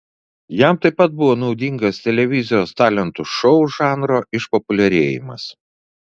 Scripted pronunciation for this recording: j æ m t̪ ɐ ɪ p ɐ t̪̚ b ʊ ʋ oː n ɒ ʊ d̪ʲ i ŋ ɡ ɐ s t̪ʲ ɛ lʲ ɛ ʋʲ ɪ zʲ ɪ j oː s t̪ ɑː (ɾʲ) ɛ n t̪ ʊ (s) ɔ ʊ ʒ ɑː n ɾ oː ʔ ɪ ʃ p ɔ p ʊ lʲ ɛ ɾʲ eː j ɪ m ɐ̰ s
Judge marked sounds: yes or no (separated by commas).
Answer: no, no